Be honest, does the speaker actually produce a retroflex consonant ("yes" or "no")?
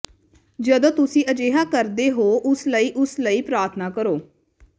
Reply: no